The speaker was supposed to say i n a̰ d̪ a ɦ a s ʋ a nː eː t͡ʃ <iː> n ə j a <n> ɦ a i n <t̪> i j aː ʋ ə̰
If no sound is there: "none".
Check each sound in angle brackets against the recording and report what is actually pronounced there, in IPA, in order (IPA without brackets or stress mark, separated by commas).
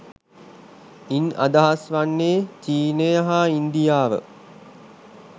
iː, none, d̪